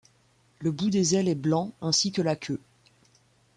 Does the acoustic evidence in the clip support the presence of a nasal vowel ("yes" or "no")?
yes